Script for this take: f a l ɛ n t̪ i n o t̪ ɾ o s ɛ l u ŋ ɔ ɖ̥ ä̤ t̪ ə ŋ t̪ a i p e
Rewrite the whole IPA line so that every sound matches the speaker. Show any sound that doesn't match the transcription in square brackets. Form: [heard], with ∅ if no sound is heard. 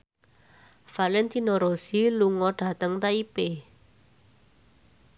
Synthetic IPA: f a l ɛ n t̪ i n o [∅] ɾ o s [i] l u ŋ ɔ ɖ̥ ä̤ t̪ ə ŋ t̪ a i p e